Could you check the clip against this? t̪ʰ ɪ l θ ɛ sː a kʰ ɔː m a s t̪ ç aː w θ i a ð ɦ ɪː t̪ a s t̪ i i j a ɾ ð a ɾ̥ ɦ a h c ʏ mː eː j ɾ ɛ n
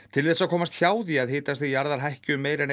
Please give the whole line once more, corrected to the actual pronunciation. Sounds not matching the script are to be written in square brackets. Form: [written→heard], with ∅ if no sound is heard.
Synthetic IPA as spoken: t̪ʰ ɪ l θ ɛ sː a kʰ ɔː m a s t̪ ç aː w [θ→ð] i a ð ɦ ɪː t̪ a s t̪ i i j a ɾ ð a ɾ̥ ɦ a h c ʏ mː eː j ɾ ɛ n